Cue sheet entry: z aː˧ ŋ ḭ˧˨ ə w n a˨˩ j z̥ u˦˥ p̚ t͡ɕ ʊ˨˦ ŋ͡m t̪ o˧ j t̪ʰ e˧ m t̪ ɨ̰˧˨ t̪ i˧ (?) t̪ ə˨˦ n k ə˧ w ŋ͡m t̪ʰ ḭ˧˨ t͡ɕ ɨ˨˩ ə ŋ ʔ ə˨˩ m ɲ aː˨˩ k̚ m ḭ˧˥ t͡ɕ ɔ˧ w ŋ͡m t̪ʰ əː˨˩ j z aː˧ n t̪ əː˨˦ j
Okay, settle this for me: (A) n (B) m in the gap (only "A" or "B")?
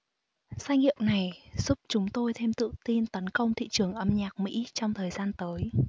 A